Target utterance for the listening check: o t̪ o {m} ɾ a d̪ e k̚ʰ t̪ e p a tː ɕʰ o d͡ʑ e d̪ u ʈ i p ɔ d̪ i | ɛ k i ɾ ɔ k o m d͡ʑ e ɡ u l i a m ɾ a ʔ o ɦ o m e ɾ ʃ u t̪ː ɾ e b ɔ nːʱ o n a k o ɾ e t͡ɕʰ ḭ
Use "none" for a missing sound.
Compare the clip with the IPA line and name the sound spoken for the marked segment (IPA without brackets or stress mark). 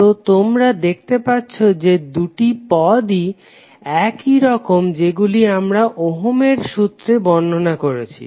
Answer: m